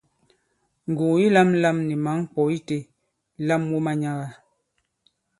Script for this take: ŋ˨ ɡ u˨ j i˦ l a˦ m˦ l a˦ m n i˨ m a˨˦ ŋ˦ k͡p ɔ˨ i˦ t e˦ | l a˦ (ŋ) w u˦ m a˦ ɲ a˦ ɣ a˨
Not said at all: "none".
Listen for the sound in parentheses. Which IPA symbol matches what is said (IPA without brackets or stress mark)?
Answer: m